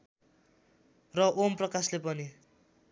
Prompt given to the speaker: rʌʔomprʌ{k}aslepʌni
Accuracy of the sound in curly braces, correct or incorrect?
correct